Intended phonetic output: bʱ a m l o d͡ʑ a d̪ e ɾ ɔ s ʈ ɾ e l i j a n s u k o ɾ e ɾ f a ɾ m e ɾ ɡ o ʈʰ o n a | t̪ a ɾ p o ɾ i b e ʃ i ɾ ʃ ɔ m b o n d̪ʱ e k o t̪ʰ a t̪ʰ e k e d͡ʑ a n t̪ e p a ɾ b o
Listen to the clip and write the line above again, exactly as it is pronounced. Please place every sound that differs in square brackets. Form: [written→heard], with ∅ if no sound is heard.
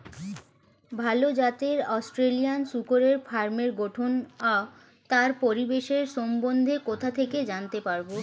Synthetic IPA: bʱ a [m→∅] l o d͡ʑ a [d̪→t̪] e ɾ ɔ s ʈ ɾ e l i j a n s u k o ɾ e ɾ f a ɾ m e ɾ ɡ o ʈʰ o n a | t̪ a ɾ p o ɾ i b e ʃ [i→e] ɾ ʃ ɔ m b o n d̪ʱ e k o t̪ʰ a t̪ʰ e k e d͡ʑ a n t̪ e p a ɾ b o